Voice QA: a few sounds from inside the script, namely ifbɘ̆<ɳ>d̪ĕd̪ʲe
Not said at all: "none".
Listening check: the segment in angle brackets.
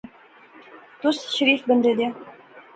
n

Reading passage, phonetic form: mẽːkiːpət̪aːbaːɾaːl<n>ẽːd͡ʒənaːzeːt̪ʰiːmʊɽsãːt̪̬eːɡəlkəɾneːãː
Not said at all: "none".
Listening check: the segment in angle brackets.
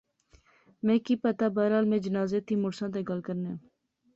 m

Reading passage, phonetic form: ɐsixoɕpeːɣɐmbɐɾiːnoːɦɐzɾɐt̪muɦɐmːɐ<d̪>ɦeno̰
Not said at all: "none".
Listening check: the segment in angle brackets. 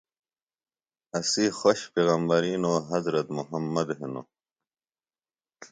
d̪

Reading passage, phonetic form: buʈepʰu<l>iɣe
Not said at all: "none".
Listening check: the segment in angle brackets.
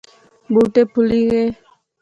l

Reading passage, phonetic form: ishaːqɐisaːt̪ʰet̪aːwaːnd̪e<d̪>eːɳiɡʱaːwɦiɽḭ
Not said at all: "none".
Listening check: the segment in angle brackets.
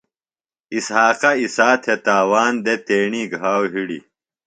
t̪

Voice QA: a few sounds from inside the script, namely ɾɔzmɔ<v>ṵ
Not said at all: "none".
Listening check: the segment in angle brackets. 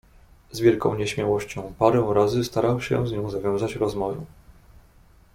v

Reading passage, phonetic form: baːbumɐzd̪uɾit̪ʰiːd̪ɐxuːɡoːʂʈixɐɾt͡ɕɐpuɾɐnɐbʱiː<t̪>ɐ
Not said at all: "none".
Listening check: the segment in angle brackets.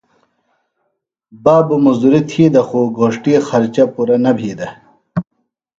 d̪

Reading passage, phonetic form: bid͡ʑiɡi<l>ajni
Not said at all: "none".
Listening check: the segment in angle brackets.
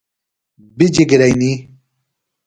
ɾ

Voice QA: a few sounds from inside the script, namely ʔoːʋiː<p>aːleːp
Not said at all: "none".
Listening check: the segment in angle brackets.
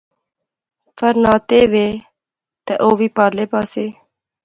p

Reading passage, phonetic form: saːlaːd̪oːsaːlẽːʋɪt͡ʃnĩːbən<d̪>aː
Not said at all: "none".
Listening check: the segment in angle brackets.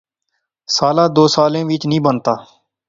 t̪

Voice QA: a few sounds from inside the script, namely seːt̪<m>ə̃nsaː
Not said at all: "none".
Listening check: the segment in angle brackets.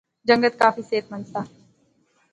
m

